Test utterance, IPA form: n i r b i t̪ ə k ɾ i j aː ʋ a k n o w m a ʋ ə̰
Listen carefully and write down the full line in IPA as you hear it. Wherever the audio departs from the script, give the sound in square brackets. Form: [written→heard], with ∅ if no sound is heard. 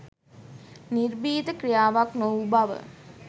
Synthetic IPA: n i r b [i→iː] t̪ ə k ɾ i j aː ʋ a k n o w [m→b] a ʋ ə̰